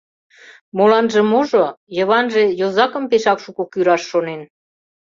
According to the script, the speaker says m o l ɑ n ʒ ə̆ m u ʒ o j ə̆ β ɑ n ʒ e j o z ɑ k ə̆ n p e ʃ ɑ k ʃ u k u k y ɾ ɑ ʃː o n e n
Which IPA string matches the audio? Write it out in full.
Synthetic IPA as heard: m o l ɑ n ʒ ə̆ m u ʒ o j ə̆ β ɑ n ʒ e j o z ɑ k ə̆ m p e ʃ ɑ k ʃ u k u k y ɾ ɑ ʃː o n e n